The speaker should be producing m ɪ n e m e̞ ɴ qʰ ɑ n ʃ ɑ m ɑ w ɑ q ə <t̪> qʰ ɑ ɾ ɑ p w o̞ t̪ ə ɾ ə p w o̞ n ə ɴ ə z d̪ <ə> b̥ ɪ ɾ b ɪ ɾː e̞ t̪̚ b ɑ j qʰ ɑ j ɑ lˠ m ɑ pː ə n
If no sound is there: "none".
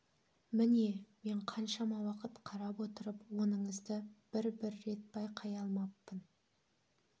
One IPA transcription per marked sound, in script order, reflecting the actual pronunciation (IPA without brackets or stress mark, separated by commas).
t̪, ə